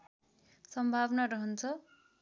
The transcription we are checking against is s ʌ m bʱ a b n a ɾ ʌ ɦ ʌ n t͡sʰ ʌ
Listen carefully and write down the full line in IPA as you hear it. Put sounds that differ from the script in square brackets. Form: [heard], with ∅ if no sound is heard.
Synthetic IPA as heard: s ʌ m bʱ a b n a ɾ ʌ ɦ ʌ n t͡sʰ ʌ